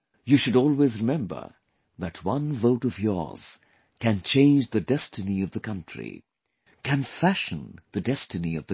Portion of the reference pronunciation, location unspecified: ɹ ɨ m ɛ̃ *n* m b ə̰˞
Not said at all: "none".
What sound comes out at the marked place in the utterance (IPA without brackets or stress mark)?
none